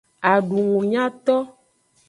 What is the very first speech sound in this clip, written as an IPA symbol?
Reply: a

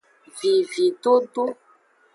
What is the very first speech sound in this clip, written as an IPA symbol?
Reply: v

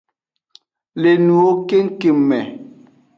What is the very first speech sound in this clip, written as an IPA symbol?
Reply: l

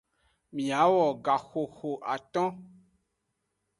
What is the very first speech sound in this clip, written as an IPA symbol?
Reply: m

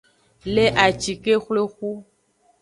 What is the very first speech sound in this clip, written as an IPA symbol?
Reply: l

